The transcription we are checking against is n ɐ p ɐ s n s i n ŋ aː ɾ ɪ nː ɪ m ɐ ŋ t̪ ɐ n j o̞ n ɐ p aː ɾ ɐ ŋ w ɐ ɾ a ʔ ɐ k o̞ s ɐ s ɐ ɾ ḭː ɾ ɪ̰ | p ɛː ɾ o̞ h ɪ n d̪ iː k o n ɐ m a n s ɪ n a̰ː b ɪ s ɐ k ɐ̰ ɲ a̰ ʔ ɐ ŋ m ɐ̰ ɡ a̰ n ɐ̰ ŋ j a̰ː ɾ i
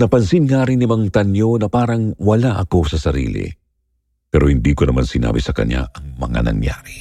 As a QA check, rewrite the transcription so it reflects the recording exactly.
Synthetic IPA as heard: n ɐ p ɐ n s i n ŋ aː ɾ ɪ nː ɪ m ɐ ŋ t̪ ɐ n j o̞ n ɐ p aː ɾ ɐ ŋ w ɐ l a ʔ ɐ k o̞ s ɐ s ɐ ɾ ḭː l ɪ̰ | p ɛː ɾ o̞ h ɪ n d̪ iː k o n ɐ m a n s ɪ n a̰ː b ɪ s ɐ k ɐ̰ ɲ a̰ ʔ ɐ ŋ m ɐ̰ ŋ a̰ n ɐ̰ ŋ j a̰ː ɾ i